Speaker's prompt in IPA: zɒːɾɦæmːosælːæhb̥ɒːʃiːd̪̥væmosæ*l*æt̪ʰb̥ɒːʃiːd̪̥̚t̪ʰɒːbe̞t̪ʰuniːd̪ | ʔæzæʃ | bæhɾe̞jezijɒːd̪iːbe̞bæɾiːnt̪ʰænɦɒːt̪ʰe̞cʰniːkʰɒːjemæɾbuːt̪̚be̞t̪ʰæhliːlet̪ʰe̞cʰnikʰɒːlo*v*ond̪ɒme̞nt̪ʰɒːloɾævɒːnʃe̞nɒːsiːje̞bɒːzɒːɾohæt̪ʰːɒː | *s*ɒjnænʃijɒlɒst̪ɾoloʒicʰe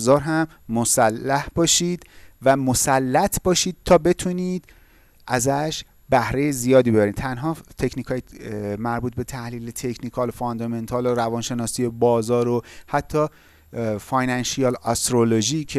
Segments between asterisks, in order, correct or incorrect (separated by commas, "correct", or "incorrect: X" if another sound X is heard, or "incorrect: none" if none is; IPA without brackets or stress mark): incorrect: lː, incorrect: f, incorrect: f